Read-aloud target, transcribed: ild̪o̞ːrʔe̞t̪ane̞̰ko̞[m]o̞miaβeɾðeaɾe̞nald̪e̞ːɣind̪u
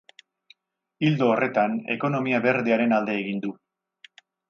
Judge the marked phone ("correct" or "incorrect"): incorrect